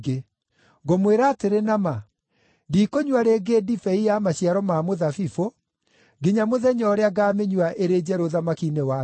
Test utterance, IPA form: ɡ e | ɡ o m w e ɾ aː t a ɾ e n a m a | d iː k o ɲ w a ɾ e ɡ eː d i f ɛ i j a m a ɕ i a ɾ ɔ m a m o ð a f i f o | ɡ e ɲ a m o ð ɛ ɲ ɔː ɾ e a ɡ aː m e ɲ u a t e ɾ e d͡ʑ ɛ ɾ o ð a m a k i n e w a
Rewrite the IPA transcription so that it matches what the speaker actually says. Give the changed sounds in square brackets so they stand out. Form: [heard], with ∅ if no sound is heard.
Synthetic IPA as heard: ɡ e | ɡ o m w e ɾ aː t [e] ɾ e n a m a | d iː k o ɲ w a ɾ e ɡ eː d i f ɛ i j a m a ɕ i a ɾ ɔ m a m o ð a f i f o | ɡ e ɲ a m o ð ɛ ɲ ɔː ɾ e a ɡ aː m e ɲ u a [ʔ] e ɾ e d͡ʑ ɛ ɾ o ð a m a k i n e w a